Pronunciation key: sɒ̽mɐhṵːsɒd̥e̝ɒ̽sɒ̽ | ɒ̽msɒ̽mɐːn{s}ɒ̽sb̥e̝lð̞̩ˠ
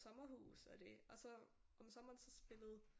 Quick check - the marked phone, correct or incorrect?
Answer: correct